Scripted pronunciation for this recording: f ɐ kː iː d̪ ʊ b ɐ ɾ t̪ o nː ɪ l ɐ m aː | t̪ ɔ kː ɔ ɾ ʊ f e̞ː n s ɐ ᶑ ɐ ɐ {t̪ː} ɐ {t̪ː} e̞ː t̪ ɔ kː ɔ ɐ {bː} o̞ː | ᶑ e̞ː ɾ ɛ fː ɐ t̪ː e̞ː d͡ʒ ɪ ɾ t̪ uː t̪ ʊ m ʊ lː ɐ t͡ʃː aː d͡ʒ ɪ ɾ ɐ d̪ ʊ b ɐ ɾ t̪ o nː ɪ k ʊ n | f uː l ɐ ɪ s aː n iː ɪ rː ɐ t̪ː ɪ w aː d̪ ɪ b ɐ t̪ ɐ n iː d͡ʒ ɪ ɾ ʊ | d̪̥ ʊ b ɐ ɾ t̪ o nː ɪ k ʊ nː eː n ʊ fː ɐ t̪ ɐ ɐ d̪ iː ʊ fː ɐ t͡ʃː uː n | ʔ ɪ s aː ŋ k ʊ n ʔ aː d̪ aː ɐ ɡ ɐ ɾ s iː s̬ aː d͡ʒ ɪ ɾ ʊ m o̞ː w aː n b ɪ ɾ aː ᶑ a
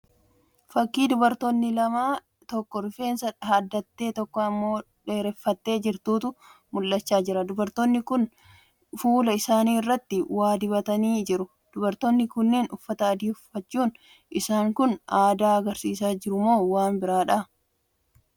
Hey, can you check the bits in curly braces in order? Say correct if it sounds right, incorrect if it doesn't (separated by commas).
incorrect, correct, incorrect